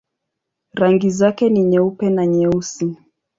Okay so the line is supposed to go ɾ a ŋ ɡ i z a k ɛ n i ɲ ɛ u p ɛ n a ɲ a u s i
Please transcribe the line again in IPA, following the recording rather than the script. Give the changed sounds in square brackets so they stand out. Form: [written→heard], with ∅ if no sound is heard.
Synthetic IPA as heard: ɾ a ŋ ɡ i z a k ɛ n i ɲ ɛ u p ɛ n a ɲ [a→ɛ] u s i